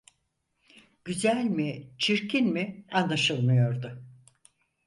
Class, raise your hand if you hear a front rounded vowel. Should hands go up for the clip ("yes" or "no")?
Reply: yes